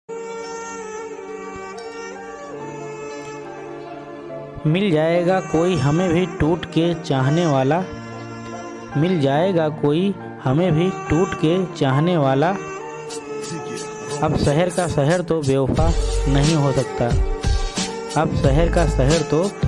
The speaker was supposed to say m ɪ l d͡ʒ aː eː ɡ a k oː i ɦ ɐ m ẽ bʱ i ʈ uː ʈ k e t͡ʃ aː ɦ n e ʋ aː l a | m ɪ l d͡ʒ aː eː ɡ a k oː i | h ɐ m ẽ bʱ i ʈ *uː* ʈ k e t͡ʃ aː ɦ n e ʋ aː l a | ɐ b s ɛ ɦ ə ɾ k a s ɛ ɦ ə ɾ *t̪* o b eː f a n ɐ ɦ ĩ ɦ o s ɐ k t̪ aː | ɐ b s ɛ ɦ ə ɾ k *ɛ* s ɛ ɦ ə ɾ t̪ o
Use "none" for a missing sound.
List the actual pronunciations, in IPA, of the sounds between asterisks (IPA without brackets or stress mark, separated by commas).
uː, t̪, a